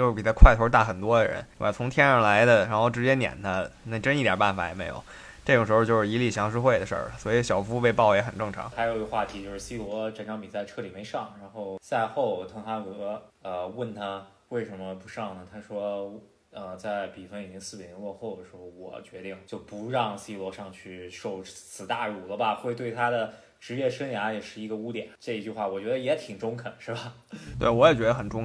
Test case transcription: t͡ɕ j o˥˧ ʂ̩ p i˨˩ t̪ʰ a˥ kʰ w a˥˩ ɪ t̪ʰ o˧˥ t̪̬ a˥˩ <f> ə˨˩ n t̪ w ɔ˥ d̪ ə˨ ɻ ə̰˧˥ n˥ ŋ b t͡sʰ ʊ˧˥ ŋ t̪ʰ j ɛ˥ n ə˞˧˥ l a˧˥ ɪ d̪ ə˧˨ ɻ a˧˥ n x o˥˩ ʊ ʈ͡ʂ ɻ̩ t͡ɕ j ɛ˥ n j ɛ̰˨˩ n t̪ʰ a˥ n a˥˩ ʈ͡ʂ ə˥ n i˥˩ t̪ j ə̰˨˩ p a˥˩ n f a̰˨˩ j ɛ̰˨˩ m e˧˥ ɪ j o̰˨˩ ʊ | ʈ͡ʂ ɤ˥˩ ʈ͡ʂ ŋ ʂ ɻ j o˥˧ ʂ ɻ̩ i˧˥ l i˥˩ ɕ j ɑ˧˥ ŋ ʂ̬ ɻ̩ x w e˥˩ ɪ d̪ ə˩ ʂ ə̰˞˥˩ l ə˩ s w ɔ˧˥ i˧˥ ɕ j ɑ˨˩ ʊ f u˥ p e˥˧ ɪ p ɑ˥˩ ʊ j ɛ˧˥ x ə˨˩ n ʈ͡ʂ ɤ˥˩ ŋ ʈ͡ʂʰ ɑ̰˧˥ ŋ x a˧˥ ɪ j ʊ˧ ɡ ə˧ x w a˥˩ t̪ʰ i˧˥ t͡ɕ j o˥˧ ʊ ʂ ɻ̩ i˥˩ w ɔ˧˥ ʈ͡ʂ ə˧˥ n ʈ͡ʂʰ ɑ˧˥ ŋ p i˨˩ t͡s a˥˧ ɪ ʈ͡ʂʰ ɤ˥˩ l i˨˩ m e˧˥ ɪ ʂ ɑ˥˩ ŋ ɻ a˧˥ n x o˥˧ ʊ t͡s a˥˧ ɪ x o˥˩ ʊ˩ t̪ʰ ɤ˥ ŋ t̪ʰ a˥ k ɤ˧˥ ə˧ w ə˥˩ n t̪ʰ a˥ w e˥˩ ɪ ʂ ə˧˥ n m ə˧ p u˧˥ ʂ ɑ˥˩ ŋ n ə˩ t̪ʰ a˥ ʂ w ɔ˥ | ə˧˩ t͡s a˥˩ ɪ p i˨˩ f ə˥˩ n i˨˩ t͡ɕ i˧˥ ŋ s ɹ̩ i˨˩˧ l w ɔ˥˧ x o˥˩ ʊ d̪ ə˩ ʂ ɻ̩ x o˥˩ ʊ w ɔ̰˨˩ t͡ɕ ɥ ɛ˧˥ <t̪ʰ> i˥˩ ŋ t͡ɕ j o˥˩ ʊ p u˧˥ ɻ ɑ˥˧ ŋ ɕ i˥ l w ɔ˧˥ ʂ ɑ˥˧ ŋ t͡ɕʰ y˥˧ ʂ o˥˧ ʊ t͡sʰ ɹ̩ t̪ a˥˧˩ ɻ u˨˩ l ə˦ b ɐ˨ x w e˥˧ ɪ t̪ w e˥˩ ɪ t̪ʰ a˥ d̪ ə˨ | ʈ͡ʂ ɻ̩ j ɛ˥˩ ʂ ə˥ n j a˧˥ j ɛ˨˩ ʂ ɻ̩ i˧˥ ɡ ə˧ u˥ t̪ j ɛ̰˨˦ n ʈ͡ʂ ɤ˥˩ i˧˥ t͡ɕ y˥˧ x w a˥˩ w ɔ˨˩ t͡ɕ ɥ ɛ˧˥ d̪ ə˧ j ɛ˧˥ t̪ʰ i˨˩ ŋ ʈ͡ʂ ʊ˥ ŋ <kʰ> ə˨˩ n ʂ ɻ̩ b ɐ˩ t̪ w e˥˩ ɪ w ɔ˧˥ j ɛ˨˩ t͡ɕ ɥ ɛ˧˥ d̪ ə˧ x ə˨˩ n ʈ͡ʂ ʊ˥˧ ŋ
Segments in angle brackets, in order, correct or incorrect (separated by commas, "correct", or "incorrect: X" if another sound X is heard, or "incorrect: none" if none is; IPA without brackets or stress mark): incorrect: x, incorrect: t̪, correct